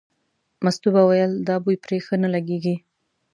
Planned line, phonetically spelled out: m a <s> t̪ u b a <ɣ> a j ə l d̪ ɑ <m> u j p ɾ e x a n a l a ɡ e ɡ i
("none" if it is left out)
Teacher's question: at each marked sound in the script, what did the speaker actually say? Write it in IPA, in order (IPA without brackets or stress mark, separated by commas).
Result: s, w, b